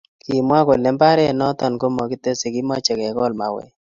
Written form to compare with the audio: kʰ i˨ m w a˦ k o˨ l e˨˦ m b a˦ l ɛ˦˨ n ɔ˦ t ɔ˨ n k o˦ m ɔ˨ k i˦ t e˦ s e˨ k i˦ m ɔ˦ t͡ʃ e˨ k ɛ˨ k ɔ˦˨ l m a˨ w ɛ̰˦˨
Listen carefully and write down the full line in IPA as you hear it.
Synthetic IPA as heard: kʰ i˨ m w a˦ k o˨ l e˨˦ m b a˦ ɾ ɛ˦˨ n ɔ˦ t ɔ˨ n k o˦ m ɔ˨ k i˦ t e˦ s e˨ k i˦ m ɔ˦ t͡ʃ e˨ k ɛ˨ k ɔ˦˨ l m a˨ w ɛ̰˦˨

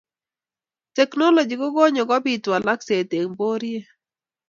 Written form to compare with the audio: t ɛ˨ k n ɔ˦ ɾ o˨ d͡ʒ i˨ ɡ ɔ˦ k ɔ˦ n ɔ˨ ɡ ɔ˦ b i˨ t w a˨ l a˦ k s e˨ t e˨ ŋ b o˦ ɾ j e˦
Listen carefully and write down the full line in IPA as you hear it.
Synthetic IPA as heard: t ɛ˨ k n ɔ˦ l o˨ d͡ʒ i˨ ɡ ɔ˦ ɡ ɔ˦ ɲ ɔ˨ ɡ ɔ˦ b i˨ t w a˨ l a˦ k s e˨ t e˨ ŋ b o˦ ɾ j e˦

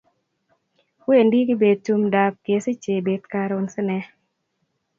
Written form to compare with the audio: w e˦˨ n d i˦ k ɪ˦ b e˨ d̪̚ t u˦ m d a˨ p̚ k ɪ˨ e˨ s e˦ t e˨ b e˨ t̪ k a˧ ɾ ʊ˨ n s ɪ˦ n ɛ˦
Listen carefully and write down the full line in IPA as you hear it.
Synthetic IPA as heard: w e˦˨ n d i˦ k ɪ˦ b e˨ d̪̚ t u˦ m d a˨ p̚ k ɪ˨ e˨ s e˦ t͡ʃ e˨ b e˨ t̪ k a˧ ɾ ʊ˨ n s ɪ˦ n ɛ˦

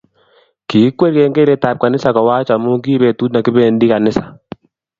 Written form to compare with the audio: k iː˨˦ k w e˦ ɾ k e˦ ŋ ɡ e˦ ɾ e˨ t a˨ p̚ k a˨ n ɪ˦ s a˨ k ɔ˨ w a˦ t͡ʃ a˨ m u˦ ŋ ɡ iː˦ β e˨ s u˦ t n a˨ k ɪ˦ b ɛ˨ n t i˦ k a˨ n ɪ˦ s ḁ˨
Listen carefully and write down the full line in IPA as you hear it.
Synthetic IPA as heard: k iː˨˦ k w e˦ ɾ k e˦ ŋ ɡ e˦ ɾ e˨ t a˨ p̚ k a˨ n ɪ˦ s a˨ k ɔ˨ w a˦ t͡ʃ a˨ m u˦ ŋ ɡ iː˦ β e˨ t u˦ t n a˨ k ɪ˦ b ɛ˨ n d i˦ k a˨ n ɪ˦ s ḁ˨

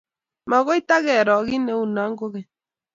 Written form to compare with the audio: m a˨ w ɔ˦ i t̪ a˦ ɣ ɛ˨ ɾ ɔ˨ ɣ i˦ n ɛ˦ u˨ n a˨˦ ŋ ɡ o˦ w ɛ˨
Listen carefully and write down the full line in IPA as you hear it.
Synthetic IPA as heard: m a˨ ɣ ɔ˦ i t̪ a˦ ɣ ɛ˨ ɾ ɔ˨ ɣ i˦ n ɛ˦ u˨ n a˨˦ ŋ ɡ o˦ ɣ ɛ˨

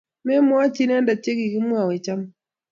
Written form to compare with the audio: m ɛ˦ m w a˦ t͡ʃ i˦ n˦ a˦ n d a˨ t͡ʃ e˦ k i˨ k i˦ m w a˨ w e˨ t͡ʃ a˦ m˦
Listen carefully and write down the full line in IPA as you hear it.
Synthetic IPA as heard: m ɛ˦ m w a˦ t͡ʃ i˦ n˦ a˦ n d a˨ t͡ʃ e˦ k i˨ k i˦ m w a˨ w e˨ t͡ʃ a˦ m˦

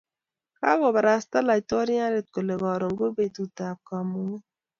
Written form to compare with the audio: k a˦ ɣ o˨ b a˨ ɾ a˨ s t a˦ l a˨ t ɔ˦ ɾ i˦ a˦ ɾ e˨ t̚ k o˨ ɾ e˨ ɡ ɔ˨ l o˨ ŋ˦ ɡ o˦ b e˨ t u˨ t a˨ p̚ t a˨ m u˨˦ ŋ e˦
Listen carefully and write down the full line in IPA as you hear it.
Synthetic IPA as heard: k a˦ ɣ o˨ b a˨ ɾ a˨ s t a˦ l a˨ t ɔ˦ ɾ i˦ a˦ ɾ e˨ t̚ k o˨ l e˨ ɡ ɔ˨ ɾ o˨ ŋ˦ ɡ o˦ b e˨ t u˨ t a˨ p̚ k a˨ m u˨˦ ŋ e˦

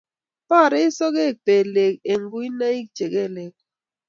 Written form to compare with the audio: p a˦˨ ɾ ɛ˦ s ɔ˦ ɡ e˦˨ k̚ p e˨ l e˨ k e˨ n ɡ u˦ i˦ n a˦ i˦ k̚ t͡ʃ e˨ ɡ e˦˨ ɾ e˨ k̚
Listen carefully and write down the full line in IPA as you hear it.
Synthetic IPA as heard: p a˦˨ ɾ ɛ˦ s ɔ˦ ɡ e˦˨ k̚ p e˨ l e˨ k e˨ ŋ ɡ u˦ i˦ n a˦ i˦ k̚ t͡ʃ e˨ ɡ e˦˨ l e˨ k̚

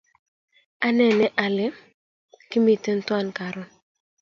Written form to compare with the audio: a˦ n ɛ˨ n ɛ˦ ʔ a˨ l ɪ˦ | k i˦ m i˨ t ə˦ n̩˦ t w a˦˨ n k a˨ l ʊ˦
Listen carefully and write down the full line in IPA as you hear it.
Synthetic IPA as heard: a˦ n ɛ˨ n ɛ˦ ʔ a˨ l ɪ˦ | k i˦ m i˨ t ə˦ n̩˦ t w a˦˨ n k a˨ ɾ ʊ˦

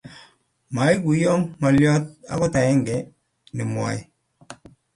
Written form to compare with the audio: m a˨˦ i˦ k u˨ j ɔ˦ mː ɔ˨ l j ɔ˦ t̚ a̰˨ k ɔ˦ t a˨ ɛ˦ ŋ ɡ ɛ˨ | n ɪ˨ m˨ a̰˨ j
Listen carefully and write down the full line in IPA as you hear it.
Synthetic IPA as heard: m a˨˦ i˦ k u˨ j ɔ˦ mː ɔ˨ l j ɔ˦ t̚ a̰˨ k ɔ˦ t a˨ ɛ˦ ŋ ɡ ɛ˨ | n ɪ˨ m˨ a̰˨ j

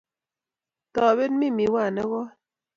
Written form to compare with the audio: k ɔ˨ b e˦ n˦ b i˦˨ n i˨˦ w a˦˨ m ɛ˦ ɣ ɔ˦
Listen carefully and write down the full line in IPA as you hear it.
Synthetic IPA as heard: t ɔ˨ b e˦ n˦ m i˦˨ m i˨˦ w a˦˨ n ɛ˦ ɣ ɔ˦

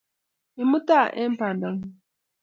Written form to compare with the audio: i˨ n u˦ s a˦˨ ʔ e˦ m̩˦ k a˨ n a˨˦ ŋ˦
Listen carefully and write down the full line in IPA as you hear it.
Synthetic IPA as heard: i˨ m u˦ t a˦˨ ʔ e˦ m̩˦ p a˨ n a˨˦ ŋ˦

